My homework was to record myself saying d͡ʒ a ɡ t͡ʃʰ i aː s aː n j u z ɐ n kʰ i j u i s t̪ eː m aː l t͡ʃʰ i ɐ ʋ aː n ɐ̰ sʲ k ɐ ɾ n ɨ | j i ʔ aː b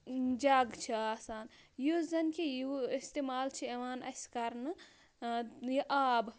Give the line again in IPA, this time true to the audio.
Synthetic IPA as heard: d͡ʒ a ɡ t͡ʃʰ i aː s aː n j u z ɐ n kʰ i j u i s t̪ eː m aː l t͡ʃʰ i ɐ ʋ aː n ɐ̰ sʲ k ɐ ɾ n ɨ | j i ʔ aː b